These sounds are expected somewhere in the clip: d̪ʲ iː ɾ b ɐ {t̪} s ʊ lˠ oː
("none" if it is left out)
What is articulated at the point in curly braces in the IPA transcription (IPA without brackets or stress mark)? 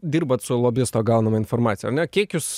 t̪